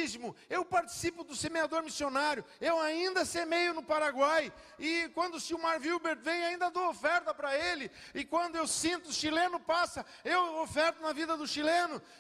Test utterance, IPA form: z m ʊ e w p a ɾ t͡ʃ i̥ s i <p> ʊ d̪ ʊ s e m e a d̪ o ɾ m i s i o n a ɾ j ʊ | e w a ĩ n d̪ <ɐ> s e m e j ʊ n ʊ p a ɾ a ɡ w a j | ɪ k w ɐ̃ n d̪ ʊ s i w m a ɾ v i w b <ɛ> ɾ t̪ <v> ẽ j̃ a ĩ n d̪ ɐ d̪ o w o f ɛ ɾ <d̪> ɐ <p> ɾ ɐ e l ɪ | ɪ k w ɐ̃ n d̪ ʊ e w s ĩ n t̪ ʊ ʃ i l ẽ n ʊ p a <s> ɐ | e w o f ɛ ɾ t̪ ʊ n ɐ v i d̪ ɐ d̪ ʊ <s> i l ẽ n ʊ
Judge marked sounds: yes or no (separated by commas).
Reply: yes, yes, no, yes, no, yes, yes, no